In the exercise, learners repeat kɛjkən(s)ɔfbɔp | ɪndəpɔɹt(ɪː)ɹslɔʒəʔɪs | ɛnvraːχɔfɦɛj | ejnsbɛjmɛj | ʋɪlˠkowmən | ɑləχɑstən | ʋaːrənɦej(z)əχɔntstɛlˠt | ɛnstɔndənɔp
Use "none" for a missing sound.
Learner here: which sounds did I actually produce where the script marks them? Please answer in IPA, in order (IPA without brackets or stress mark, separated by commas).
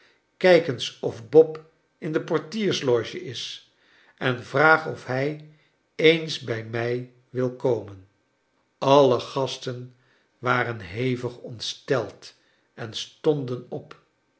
s, iː, v